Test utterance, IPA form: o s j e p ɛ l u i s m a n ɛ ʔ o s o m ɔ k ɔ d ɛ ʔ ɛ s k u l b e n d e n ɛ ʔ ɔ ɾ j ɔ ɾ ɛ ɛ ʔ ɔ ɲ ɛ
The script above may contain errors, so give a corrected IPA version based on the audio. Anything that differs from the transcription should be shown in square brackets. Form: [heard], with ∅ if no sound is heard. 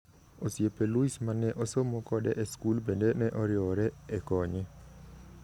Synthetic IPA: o s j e p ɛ l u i s m a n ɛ ʔ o s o m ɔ k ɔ d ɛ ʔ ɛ s k u l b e n d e n ɛ ʔ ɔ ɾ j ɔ ɾ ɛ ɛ [k] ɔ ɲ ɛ